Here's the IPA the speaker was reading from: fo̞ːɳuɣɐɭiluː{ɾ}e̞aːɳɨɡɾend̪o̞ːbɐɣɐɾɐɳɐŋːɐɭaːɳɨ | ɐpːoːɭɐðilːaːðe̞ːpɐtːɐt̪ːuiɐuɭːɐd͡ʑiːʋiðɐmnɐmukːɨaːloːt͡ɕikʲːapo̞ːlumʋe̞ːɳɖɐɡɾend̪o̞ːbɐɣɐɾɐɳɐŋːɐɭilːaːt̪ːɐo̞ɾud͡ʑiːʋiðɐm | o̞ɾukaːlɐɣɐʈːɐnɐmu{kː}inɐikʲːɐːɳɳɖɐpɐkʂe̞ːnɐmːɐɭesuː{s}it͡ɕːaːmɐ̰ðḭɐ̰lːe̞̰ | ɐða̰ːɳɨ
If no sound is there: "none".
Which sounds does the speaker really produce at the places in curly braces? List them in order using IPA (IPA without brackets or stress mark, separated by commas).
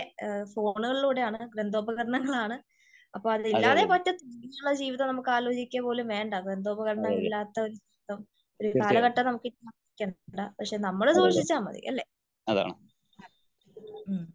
ɽ, kː, ʂ